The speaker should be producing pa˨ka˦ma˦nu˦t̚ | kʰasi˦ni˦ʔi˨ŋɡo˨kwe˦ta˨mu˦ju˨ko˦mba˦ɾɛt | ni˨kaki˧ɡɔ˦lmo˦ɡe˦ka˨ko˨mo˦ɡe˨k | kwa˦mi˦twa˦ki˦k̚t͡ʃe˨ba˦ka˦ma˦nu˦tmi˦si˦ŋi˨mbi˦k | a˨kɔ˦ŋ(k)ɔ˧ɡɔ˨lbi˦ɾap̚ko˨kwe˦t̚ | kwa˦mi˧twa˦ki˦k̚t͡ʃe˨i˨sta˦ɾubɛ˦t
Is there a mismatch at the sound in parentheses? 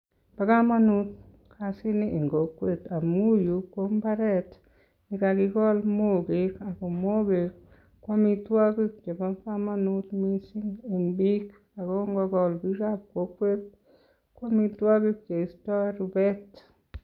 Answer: yes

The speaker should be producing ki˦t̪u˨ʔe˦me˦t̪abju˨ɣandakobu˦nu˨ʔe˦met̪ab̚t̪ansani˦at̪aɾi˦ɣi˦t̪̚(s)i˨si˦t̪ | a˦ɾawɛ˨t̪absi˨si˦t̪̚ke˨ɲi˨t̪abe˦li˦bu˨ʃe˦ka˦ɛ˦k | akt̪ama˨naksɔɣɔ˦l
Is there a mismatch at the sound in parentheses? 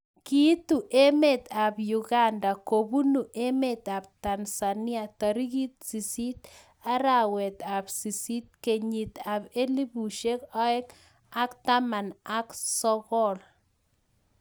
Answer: no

